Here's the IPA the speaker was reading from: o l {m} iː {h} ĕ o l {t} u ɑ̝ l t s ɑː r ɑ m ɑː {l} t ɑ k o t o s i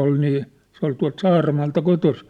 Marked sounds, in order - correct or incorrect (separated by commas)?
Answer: incorrect, incorrect, correct, correct